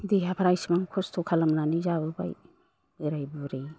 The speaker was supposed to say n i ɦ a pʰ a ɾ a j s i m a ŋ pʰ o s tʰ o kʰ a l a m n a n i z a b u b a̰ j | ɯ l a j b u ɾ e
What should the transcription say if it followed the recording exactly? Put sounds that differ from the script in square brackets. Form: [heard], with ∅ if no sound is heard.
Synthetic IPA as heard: [d] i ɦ a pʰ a ɾ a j s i m a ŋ [kʰ] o s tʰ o kʰ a l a m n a n i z a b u b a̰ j | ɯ [ɾ] a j b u ɾ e